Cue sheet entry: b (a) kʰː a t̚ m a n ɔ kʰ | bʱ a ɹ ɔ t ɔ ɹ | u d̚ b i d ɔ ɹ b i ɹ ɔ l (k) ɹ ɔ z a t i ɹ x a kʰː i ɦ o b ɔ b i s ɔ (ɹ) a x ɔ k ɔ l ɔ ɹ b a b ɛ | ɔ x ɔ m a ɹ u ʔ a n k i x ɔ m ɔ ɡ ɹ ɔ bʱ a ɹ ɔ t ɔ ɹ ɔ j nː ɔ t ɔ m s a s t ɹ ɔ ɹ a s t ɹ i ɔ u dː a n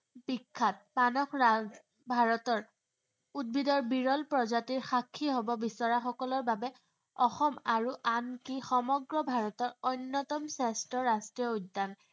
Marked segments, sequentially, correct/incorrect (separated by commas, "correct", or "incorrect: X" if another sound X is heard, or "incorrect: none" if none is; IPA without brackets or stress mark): incorrect: i, incorrect: p, correct